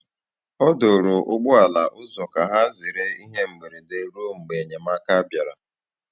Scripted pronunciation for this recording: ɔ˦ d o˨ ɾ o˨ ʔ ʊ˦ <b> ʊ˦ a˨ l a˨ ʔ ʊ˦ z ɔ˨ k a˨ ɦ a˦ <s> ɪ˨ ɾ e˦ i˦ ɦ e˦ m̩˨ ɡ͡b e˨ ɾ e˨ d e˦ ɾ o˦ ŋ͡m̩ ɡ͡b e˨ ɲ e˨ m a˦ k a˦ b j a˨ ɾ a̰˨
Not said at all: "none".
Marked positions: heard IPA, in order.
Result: ɡ͡b, z

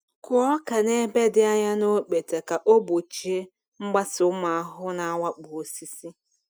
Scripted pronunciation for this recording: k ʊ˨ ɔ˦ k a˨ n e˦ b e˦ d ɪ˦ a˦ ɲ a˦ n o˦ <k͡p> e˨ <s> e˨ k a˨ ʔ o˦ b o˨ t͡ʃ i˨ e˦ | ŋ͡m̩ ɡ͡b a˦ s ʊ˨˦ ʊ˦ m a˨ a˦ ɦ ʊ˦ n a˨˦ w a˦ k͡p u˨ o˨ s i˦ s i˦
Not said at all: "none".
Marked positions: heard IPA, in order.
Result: k͡p, t

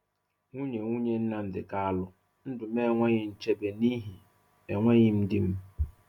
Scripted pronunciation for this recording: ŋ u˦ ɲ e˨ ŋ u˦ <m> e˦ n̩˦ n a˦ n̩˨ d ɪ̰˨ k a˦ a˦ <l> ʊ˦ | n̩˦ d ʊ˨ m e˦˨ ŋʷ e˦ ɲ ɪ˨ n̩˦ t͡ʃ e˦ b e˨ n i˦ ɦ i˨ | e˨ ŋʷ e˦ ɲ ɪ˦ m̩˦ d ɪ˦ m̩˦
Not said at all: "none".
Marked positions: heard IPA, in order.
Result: ɲ, l

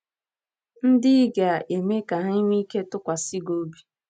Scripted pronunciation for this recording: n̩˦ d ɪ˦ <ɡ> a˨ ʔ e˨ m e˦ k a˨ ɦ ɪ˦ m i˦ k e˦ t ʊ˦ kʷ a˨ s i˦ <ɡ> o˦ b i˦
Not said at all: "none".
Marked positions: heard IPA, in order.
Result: ɡ, ɡ

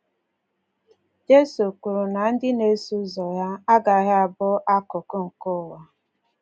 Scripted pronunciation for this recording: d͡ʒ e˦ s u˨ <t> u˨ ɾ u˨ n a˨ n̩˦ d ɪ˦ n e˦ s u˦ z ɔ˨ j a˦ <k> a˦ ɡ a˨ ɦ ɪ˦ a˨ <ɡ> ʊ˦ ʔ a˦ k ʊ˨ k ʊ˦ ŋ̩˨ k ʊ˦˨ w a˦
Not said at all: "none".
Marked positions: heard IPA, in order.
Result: k, none, b

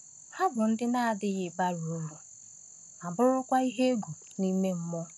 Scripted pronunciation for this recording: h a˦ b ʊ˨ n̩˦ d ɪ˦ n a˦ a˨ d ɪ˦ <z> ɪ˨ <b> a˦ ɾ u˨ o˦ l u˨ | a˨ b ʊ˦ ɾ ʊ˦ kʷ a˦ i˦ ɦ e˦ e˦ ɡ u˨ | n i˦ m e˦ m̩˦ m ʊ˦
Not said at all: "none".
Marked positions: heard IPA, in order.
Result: ɣ, b

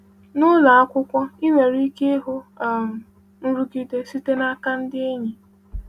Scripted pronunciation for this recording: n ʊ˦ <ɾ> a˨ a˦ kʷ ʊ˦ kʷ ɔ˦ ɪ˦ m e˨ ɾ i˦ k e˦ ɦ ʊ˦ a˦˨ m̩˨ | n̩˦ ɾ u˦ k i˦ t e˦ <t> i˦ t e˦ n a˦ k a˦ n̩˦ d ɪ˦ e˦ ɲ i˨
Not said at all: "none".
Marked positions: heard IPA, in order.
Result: l, s

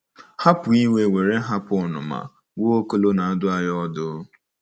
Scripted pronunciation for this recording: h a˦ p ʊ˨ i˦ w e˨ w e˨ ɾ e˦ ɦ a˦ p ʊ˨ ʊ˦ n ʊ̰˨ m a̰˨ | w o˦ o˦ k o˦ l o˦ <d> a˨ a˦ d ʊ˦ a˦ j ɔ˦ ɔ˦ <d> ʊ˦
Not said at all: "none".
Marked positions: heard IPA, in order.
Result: n, d

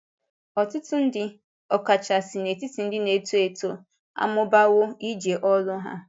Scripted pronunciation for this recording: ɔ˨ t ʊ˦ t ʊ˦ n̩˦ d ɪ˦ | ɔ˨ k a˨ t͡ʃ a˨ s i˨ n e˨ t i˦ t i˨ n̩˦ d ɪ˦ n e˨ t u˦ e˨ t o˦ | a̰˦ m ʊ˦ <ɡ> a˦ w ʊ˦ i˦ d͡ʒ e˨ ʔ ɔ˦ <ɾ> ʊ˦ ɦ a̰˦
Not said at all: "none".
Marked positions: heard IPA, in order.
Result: b, l

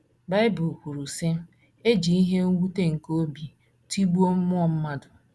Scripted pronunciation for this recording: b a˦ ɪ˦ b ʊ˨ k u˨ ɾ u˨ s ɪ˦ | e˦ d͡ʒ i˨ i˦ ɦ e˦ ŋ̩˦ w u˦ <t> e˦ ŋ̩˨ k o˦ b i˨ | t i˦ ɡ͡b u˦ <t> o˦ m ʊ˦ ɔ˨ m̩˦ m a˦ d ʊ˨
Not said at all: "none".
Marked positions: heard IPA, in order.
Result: t, none

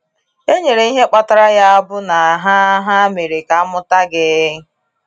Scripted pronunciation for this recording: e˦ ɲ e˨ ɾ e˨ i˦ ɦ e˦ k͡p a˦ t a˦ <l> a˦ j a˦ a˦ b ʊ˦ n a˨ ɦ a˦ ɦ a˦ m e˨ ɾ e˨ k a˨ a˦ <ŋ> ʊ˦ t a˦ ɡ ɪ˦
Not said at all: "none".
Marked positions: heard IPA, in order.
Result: ɾ, m

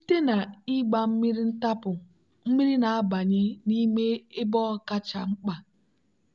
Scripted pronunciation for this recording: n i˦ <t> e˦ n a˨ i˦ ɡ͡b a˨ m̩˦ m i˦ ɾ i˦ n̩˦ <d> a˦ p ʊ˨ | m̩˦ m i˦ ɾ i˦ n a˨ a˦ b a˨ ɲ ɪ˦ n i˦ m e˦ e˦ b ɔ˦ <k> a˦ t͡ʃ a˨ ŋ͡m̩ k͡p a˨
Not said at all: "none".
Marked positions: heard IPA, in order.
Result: t, t, k

